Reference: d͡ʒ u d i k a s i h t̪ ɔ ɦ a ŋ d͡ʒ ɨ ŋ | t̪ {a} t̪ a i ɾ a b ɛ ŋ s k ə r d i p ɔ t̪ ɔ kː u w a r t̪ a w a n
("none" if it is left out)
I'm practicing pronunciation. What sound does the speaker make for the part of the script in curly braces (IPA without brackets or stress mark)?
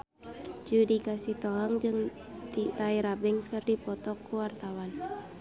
i